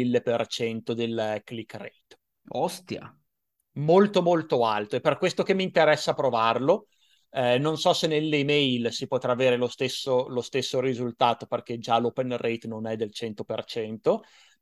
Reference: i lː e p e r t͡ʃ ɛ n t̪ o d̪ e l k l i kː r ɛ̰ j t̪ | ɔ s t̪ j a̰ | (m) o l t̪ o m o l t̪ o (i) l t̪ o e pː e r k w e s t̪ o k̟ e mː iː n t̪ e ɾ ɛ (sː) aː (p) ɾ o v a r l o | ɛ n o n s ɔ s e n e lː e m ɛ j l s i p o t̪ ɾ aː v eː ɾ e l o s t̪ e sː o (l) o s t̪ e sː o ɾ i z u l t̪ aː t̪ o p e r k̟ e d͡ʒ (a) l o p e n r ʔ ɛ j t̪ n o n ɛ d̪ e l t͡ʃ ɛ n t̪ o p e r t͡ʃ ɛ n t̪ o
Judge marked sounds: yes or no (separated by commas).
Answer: yes, no, yes, yes, yes, yes